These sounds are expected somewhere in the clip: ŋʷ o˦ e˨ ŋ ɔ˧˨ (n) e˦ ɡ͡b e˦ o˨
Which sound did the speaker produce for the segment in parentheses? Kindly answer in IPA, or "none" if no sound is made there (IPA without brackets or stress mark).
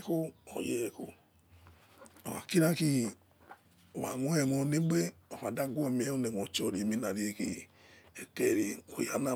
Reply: n